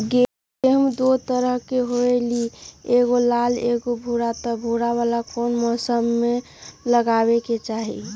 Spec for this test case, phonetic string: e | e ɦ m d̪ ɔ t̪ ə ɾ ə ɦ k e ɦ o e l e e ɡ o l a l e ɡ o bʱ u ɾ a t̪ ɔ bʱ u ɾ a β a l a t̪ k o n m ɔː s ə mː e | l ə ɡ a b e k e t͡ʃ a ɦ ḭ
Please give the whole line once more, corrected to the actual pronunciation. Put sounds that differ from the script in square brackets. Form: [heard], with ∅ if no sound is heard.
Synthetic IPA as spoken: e | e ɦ m d̪ [o] t̪ ə ɾ ə ɦ k e ɦ o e l [i] e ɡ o l a l e ɡ o bʱ u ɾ a t̪ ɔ bʱ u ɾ a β a l a [∅] k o n m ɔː s ə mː e | l ə ɡ a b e k e t͡ʃ a ɦ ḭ